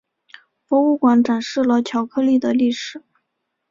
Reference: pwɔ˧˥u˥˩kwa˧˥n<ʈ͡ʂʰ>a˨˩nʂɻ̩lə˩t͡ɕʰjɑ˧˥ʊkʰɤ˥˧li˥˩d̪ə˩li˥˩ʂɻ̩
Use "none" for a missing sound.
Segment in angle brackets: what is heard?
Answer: ʈ͡ʂ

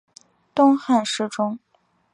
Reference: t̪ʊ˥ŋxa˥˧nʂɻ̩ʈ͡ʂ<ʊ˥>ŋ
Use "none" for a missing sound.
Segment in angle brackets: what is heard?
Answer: ʊ˥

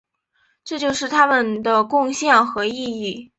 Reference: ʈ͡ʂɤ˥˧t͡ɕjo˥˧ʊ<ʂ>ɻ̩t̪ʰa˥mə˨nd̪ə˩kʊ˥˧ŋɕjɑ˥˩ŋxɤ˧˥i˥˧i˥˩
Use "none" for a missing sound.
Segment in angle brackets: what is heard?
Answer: ʂ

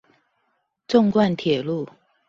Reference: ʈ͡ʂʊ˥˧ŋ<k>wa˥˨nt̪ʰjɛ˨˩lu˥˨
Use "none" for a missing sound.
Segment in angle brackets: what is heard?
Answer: k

